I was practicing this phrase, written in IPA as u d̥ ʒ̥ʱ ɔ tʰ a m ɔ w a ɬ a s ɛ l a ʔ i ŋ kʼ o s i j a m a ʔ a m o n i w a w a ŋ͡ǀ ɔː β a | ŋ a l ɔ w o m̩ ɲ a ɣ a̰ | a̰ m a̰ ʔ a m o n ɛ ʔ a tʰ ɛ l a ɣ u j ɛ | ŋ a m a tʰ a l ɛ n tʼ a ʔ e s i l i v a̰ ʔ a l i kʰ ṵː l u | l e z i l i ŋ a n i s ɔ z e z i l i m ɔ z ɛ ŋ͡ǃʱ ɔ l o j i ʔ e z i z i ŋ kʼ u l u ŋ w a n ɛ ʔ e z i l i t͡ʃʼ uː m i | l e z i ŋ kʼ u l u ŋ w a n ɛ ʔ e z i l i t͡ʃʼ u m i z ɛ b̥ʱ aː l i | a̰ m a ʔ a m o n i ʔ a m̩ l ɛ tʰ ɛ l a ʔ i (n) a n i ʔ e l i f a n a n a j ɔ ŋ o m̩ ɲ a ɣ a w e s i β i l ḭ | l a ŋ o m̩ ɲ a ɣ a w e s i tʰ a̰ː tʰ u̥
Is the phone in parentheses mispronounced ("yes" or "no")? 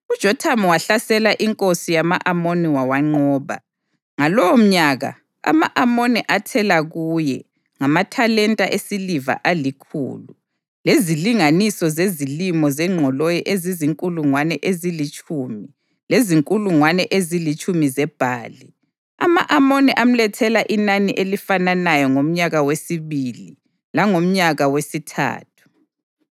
no